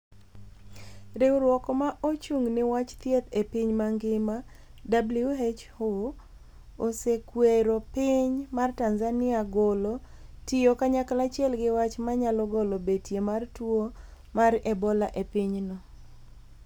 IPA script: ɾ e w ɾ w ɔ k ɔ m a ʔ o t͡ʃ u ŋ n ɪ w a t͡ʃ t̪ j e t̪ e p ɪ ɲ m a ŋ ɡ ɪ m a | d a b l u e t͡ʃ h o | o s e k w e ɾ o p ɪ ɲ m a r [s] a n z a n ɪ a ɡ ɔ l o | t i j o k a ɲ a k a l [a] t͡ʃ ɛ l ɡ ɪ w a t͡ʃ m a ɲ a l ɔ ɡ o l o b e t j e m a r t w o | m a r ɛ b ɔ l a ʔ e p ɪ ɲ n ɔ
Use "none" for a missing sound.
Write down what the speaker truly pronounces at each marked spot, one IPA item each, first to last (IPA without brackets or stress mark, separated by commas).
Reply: t, a